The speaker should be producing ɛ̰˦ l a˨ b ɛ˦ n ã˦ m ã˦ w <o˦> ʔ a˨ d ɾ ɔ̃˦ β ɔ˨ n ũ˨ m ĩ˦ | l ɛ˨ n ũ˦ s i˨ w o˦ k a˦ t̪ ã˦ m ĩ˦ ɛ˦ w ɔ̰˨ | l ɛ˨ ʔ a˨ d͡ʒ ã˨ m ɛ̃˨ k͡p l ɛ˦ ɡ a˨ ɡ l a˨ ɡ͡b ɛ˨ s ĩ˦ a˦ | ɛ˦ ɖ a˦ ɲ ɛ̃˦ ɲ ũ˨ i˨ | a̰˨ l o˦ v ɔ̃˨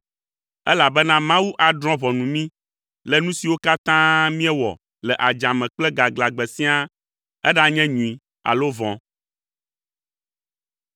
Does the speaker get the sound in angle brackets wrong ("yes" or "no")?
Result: yes